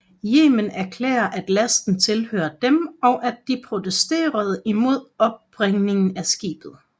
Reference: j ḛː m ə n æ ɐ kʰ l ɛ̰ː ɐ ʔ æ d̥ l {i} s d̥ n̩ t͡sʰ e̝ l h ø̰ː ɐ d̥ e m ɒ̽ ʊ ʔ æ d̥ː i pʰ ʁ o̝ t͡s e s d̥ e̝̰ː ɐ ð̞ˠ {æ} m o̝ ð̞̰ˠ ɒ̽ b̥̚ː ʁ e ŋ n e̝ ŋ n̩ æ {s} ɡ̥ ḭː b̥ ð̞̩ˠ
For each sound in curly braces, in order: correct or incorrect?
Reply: incorrect: æ, incorrect: i, correct

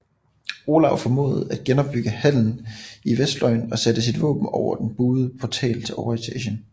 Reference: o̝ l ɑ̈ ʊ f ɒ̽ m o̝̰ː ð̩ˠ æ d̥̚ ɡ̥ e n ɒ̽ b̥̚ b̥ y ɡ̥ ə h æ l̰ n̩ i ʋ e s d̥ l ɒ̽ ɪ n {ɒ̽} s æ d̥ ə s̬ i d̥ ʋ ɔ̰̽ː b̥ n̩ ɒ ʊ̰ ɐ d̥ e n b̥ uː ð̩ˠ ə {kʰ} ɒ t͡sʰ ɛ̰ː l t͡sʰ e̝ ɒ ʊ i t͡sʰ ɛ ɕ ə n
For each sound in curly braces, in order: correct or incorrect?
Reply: correct, incorrect: pʰ

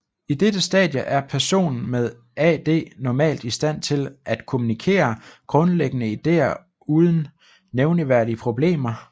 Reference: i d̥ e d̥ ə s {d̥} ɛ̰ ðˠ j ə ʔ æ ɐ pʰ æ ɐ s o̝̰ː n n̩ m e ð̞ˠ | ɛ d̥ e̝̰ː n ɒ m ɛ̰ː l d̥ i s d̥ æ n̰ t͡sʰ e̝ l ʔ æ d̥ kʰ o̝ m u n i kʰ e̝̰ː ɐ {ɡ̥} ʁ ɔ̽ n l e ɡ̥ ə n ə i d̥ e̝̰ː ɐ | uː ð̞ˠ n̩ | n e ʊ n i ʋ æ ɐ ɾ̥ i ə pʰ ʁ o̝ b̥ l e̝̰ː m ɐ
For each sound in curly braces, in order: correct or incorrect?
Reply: correct, correct

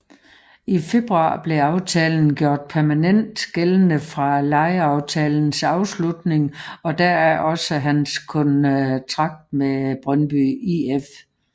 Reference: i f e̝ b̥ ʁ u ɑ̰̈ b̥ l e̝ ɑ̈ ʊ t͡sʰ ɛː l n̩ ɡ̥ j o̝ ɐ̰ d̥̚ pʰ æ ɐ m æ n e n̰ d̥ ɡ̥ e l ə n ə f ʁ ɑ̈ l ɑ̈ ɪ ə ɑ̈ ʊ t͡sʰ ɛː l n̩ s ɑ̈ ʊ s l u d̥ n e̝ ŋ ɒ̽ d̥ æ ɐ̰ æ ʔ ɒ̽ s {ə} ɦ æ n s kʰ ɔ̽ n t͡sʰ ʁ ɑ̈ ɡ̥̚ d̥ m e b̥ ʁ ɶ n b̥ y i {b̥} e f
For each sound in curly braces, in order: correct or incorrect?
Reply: correct, incorrect: none

